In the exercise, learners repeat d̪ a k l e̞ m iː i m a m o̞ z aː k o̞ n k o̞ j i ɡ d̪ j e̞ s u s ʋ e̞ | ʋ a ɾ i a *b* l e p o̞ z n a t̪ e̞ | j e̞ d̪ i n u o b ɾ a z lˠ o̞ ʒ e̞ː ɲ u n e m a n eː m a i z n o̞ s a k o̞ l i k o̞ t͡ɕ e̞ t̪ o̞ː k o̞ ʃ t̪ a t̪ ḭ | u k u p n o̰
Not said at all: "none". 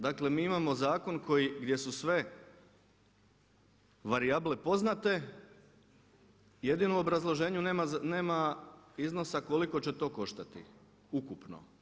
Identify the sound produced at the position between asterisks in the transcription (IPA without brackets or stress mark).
b